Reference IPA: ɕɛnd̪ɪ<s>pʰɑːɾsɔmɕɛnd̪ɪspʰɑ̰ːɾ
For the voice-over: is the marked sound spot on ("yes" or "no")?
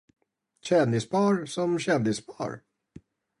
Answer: yes